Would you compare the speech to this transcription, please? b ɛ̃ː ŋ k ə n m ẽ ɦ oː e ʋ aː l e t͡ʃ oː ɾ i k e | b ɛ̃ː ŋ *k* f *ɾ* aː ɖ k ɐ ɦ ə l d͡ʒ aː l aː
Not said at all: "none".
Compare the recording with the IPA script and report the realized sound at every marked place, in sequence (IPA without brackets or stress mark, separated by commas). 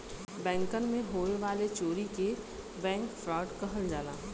k, ɾ